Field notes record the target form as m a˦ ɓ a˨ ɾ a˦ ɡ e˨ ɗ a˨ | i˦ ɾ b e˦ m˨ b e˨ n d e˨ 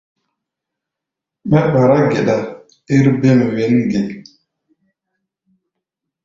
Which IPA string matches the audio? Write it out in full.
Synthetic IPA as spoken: m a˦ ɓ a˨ ɾ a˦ ɡ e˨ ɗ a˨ | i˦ ɾ b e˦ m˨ w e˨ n ɡ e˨